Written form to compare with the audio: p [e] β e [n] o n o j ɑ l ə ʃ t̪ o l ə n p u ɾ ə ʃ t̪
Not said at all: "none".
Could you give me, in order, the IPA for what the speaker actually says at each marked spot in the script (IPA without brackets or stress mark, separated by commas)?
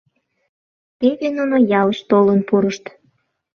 e, n